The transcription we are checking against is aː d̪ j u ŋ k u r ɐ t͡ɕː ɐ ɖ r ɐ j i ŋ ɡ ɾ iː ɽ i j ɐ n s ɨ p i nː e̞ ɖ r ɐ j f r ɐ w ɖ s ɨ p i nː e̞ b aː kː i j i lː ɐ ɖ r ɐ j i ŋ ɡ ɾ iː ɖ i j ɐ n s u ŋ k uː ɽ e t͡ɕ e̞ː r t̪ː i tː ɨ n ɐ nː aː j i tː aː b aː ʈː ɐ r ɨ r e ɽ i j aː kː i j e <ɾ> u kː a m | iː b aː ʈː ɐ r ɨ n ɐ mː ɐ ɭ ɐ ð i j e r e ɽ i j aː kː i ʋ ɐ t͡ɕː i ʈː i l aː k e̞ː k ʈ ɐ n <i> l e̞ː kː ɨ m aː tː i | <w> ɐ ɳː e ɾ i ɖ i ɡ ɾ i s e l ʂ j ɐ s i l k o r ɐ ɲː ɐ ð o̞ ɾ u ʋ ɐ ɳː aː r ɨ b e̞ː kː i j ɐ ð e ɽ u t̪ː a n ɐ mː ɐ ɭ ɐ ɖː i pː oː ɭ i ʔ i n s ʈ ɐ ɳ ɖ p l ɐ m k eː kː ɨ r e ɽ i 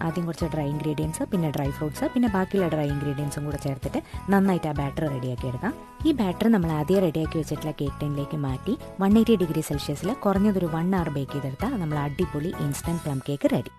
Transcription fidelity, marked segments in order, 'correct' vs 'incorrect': incorrect, correct, incorrect

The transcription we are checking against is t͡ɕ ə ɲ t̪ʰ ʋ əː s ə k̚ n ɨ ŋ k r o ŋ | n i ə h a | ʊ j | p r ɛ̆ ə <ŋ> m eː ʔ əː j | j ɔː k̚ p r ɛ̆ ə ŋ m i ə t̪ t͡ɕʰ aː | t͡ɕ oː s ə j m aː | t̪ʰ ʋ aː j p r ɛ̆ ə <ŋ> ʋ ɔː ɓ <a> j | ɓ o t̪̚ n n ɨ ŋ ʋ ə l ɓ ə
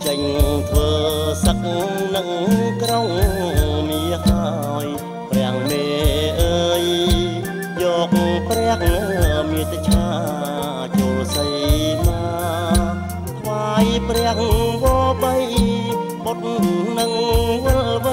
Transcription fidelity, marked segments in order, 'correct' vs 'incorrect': correct, correct, incorrect

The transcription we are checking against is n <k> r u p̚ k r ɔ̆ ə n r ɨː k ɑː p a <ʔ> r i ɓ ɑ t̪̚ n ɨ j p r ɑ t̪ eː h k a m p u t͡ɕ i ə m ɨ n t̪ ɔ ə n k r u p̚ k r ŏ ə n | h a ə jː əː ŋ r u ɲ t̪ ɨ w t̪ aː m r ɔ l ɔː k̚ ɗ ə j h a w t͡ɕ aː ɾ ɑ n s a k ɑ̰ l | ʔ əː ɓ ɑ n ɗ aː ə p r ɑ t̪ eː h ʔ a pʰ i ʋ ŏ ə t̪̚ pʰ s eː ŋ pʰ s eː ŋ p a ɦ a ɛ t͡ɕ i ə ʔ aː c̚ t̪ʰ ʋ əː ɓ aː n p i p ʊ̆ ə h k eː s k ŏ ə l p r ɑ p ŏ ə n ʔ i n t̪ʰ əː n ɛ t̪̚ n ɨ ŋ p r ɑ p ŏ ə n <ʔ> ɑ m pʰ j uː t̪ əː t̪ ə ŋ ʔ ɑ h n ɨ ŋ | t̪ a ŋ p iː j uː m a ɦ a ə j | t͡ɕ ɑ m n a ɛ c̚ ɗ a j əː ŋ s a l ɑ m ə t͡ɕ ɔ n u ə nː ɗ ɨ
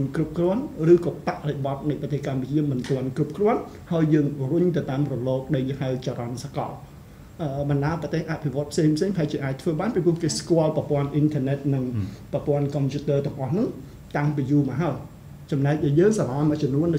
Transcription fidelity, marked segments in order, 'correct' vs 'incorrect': correct, correct, incorrect

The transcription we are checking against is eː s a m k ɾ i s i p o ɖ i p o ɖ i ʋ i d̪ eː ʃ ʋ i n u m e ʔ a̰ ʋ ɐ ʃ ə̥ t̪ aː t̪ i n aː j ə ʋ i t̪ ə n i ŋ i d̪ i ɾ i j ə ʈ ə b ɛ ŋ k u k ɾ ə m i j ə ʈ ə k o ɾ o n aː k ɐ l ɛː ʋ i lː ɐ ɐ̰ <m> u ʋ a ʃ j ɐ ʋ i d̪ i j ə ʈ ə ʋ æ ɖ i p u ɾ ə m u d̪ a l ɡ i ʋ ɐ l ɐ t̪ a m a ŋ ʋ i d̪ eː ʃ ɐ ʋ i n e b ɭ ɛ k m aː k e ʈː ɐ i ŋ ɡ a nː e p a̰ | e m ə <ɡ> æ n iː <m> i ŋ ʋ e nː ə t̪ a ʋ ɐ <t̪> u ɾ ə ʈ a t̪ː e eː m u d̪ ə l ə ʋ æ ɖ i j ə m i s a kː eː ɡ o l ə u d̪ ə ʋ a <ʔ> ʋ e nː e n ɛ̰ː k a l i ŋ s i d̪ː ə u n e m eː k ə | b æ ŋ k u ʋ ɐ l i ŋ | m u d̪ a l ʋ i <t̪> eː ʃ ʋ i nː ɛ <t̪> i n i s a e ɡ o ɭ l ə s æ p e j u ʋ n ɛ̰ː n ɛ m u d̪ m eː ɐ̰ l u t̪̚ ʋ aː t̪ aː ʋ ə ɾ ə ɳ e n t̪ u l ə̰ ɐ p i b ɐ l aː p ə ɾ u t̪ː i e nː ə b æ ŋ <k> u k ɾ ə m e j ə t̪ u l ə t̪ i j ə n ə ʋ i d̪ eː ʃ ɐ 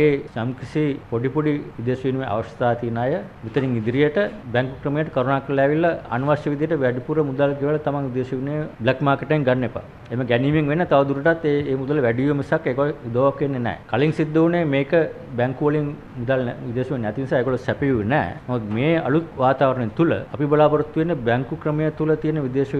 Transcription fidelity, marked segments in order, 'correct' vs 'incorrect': incorrect, correct, correct, incorrect, incorrect, incorrect, correct, correct

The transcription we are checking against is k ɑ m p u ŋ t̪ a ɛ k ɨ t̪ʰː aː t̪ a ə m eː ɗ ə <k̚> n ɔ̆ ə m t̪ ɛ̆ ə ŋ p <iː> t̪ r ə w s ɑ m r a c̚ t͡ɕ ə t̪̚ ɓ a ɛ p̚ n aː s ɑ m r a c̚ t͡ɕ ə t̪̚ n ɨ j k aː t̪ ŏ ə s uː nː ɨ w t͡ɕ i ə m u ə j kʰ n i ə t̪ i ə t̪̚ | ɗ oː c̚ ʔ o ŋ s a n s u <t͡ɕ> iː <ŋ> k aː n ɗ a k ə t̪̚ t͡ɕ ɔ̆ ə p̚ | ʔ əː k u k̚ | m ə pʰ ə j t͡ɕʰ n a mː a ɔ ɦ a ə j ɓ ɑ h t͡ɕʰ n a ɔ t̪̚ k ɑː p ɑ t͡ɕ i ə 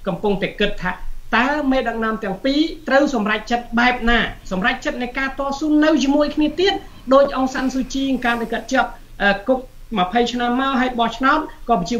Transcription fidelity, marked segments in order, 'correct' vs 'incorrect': correct, correct, correct, correct

